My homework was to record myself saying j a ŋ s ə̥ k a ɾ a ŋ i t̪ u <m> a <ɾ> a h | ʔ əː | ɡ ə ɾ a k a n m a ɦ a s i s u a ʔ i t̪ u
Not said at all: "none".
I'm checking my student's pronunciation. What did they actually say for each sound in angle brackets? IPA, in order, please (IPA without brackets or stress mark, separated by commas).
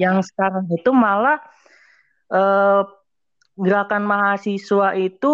m, l